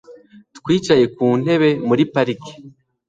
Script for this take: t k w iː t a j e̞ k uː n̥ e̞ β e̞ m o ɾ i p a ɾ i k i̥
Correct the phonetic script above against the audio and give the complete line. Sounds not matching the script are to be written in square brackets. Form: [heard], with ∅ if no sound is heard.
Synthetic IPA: t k w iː [t͡ʃ] a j e̞ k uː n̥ e̞ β e̞ m [u] ɾ i p a ɾ i k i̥